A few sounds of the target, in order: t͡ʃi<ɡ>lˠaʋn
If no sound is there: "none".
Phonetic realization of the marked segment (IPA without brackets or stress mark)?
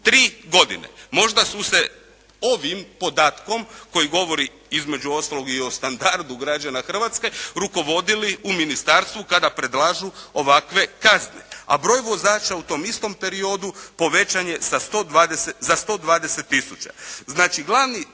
ɡ